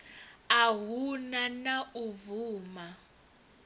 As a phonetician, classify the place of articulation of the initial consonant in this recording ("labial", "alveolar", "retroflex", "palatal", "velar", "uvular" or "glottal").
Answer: glottal